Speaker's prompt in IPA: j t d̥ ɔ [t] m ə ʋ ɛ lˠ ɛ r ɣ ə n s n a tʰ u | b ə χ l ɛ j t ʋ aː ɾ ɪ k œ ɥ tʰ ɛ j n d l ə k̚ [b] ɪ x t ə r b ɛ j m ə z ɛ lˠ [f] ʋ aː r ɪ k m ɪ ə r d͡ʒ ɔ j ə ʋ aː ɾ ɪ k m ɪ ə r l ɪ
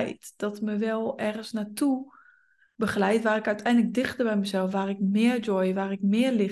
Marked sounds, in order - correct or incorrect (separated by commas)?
correct, incorrect, correct